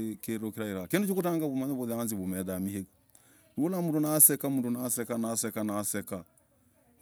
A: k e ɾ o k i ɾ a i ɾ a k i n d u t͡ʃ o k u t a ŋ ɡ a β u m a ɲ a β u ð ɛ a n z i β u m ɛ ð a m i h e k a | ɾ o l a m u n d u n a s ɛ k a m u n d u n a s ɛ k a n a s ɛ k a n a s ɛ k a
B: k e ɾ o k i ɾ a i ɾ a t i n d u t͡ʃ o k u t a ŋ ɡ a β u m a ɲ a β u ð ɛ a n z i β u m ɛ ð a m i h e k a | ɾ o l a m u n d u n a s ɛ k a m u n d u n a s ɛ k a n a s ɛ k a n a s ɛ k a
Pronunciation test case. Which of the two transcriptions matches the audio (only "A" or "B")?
A